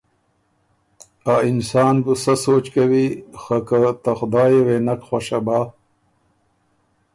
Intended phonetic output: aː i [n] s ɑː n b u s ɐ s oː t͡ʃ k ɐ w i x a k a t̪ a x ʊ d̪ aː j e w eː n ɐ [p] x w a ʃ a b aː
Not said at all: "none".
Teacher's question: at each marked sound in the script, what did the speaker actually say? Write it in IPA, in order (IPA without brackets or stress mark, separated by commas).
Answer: n, k